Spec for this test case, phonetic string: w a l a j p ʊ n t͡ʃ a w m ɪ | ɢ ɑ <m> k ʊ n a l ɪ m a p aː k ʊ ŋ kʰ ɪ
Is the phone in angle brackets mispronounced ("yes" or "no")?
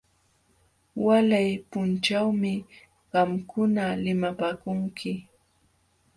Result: no